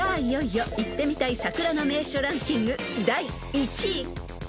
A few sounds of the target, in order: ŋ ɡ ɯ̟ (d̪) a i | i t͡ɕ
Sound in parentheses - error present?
no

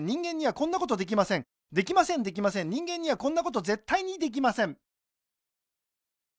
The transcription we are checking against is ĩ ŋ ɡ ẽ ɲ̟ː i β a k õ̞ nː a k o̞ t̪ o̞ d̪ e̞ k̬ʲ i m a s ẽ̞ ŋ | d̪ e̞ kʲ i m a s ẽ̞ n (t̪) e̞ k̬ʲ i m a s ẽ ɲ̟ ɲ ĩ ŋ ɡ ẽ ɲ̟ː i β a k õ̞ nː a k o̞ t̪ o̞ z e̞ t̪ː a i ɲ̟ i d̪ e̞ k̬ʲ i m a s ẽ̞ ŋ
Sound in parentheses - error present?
yes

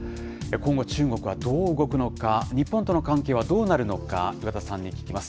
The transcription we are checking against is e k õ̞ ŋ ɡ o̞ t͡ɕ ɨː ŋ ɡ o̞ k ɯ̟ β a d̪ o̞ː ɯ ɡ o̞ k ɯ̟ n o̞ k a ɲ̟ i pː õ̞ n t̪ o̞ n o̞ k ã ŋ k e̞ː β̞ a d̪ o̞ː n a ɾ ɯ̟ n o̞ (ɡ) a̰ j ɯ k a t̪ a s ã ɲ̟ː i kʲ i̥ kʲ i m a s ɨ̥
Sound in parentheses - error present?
yes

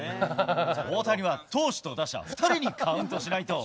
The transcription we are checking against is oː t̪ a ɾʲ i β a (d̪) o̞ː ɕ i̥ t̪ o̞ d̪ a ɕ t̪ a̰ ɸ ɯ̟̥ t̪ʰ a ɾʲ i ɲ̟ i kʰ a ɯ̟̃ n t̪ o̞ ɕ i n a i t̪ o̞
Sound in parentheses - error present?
yes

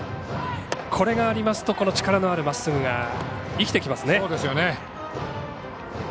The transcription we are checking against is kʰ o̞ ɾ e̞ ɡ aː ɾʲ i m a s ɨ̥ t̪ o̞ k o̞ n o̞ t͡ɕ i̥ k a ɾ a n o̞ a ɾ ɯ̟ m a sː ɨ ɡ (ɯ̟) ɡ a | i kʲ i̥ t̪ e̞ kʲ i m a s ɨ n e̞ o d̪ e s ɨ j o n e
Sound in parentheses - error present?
no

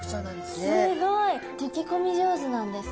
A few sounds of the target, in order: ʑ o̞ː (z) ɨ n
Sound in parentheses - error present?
no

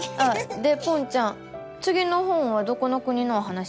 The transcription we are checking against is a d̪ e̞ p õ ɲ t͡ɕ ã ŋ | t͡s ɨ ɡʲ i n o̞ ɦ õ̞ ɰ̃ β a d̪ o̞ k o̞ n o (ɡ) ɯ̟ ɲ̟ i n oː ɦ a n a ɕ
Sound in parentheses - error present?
yes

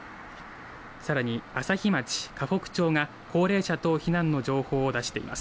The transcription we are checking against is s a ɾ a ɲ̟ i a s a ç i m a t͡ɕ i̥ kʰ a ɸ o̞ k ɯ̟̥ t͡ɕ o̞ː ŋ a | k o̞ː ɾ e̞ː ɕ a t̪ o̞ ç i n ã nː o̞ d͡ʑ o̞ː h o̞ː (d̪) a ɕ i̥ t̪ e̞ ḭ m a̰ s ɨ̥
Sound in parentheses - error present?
no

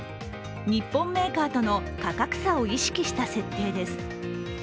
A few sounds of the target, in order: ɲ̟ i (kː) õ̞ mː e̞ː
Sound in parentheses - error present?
yes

